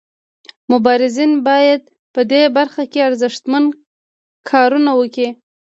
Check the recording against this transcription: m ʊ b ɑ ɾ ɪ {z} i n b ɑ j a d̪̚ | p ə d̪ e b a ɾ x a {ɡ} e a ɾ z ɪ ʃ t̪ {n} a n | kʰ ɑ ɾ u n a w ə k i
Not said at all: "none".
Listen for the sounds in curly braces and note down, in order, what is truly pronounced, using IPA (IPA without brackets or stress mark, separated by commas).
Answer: z, k, m